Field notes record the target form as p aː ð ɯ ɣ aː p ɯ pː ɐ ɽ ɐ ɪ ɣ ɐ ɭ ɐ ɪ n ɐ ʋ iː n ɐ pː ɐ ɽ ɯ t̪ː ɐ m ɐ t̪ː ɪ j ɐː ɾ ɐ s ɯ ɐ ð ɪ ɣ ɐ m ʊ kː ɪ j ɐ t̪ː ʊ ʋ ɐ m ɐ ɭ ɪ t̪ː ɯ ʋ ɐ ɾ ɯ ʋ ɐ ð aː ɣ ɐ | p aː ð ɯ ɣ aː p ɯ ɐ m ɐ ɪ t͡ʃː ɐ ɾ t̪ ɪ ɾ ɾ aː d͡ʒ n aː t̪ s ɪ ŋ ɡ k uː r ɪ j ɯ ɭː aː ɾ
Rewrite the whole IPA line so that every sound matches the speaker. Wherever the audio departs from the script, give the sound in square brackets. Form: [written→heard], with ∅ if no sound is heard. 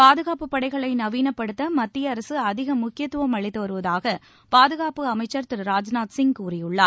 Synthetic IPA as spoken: p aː ð ɯ ɣ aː p ɯ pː ɐ ɽ ɐ ɪ ɣ ɐ ɭ ɐ ɪ n ɐ ʋ iː n ɐ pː ɐ ɽ ɯ t̪ː ɐ m ɐ t̪ː ɪ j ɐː ɾ ɐ s ɯ ɐ ð ɪ ɣ ɐ m ʊ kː ɪ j ɐ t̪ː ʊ ʋ ɐ m ɐ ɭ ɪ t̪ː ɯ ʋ ɐ ɾ ɯ ʋ ɐ ð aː ɣ ɐ | p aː ð ɯ ɣ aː p ɯ ɐ m ɐ ɪ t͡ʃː ɐ ɾ t̪ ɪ ɾ ɾ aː d͡ʒ n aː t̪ s ɪ ŋ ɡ k uː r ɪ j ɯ ɭː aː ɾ